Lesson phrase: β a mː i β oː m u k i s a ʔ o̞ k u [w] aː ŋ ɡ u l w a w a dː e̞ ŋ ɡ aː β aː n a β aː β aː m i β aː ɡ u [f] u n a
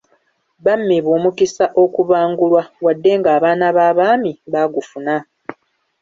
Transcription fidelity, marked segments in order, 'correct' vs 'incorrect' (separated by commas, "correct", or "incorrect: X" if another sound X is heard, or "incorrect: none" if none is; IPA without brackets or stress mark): incorrect: β, correct